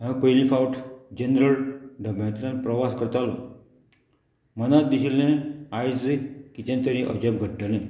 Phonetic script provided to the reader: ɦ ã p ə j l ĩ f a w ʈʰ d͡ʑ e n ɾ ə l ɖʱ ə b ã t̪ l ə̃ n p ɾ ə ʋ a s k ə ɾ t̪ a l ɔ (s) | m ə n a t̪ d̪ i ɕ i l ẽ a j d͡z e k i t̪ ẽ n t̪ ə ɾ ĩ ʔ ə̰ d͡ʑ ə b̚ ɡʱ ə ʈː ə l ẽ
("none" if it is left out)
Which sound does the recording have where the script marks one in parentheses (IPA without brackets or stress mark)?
none